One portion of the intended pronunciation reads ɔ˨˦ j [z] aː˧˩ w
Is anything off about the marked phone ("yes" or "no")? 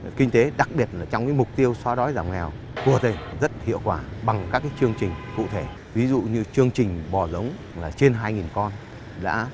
no